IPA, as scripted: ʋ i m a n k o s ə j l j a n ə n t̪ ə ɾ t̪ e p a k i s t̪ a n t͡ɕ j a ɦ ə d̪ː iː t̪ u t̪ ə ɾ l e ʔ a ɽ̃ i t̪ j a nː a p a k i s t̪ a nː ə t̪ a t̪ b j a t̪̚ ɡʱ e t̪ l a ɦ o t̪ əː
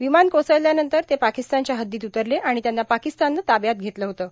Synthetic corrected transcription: ʋ i m a n k o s ə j l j a n ə n t̪ ə ɾ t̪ e p a k i s t̪ a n t͡ɕ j a ɦ ə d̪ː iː t̪ u t̪ ə ɾ l e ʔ a ɽ̃ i t̪ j a nː a p a k i s t̪ a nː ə t̪ a b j a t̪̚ ɡʱ e t̪ l ə ɦ o t̪ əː